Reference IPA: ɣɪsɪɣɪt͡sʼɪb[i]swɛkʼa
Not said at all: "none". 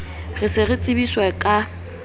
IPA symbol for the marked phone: i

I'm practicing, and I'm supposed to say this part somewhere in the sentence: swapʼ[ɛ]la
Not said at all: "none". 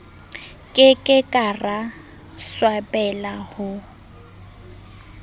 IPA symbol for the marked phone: ɛ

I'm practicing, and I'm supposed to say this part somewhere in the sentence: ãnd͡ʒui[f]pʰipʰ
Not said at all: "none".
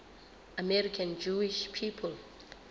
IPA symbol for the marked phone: ʃ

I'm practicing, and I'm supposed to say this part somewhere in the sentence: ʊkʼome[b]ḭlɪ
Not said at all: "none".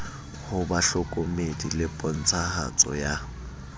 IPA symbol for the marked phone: d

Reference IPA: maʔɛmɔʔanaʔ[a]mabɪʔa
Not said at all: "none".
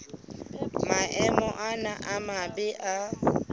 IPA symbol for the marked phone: a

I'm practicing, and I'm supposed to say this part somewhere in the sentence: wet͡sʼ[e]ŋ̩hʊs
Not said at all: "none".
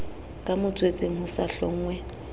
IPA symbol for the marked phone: e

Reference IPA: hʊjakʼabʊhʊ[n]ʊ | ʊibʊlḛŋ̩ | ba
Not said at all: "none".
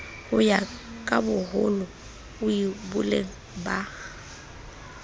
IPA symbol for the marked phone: n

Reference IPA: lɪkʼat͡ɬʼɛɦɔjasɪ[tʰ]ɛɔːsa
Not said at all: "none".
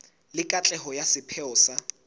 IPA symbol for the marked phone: pʰ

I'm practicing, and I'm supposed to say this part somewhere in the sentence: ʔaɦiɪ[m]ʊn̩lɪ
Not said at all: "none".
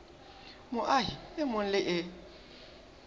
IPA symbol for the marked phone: m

